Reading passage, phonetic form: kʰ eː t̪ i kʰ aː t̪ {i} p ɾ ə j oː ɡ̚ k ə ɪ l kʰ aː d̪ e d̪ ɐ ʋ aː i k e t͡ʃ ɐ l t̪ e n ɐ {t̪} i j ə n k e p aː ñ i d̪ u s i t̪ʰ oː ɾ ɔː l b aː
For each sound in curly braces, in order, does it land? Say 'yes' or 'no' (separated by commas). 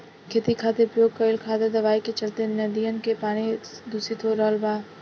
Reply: no, no